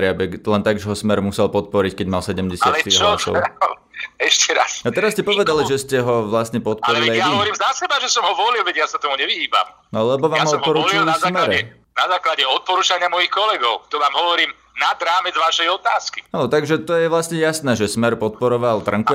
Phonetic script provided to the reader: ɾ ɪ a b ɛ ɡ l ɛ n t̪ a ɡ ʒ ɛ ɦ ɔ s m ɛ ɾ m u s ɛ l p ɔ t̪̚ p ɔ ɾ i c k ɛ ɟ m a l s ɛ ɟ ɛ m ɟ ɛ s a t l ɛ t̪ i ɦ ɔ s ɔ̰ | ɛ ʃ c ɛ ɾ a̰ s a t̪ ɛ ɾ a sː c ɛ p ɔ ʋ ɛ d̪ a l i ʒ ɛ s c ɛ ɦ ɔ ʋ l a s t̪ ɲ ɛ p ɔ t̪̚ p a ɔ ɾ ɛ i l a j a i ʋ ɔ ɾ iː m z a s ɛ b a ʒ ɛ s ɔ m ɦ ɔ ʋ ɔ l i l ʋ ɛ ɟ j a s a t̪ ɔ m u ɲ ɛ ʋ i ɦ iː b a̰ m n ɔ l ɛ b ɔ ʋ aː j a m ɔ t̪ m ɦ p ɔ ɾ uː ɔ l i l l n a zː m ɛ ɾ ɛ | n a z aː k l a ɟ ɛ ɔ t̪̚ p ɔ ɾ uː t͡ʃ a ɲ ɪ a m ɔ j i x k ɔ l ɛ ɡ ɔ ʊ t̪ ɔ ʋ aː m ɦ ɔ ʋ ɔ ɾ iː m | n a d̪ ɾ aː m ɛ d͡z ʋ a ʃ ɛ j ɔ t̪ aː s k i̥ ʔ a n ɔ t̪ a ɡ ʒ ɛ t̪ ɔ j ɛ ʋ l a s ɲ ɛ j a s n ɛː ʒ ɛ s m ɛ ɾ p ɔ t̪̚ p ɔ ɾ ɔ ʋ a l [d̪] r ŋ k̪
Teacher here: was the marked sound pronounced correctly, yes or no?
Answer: no